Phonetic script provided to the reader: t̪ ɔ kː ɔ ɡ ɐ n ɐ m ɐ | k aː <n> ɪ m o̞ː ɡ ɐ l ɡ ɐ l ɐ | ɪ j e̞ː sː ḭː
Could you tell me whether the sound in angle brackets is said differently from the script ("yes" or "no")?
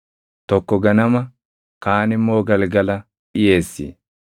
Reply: no